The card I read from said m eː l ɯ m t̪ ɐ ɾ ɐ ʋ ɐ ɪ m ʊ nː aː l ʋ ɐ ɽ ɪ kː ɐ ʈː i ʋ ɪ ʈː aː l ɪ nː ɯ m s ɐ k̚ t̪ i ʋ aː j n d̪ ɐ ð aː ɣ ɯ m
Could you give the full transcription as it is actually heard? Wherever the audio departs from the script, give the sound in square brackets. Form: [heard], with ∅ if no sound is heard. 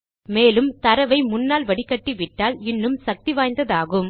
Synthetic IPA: m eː l ɯ m t̪ ɐ ɾ ɐ ʋ ɐ ɪ m ʊ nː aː l ʋ ɐ ɽ ɪ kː ɐ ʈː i ʋ ɪ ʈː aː l ɪ nː ɯ m s ɐ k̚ t̪ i ʋ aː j n d̪ ɐ ð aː ɣ ɯ m